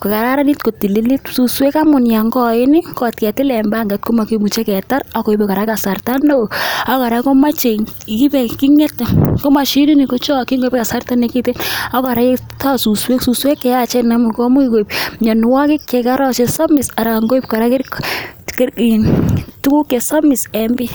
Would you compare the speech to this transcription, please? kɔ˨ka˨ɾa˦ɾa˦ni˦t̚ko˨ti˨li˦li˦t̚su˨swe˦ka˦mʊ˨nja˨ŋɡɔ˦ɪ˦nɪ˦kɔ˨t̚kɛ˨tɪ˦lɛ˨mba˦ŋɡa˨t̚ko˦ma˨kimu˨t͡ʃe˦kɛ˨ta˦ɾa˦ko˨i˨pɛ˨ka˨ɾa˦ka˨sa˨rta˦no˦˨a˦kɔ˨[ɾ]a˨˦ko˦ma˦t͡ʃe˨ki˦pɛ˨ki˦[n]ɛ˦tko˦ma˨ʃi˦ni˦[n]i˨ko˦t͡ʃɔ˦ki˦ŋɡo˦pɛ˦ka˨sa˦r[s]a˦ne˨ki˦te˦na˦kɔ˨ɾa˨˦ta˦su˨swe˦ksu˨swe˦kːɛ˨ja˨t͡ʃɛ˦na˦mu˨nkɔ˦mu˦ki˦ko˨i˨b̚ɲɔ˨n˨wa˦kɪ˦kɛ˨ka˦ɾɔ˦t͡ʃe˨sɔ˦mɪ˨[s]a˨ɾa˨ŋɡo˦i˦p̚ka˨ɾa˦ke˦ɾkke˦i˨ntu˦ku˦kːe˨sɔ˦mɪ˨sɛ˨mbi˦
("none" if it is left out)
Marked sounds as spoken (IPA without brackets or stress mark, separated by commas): ɾ, ŋ, n, t, s